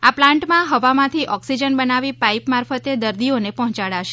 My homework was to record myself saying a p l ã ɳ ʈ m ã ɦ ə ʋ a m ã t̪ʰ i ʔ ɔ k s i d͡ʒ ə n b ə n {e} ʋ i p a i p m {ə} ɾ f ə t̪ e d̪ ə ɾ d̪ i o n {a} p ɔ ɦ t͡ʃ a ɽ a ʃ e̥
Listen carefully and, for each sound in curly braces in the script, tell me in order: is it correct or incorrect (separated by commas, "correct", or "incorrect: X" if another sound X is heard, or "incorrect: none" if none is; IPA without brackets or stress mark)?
incorrect: a, incorrect: a, incorrect: e